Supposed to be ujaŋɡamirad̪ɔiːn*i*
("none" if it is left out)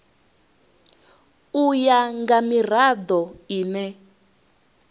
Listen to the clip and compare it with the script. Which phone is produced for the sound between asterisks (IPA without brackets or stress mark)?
ɛ